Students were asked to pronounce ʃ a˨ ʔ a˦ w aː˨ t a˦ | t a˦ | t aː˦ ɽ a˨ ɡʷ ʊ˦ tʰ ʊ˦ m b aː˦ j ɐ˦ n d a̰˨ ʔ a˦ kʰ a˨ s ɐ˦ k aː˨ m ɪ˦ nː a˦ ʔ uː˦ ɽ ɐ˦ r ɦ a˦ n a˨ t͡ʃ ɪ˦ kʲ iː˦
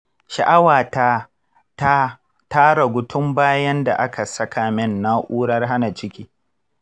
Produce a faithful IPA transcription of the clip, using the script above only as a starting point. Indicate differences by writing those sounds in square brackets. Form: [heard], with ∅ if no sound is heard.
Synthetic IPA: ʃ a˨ ʔ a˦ w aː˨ t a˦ | t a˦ | t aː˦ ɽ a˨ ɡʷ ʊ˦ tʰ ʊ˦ m b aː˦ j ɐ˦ n d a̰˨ ʔ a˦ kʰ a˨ s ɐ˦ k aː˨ m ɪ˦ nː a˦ ʔ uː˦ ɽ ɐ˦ r ɦ a˦ n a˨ t͡ʃ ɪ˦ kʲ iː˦